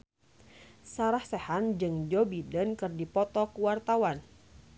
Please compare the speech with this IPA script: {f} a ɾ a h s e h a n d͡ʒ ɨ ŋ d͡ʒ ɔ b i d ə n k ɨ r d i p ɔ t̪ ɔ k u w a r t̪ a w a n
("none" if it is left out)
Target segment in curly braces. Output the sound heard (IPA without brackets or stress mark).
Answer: s